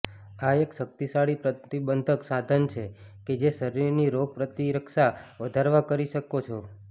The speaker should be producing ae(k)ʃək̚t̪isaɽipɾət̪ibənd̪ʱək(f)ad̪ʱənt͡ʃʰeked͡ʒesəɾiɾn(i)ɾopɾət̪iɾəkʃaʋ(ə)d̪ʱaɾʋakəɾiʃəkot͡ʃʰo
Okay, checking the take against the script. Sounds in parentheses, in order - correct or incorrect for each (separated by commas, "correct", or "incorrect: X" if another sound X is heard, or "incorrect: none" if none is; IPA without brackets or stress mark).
correct, incorrect: s, correct, correct